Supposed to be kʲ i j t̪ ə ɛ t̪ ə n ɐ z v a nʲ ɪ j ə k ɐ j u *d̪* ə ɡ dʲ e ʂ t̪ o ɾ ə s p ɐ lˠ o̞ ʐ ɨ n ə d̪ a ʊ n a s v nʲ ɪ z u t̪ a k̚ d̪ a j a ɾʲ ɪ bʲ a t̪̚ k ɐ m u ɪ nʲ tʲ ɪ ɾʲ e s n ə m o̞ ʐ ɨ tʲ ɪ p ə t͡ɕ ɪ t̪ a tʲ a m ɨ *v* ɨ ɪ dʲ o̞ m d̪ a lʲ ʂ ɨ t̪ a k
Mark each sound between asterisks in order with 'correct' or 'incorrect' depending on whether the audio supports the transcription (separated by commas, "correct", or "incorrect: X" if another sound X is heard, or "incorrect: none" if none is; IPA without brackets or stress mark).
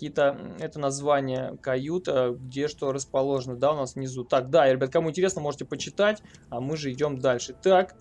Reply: incorrect: t̪, incorrect: ʐ